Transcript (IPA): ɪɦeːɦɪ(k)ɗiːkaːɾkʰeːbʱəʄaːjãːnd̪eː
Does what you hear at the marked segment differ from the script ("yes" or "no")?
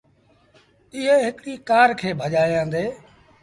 no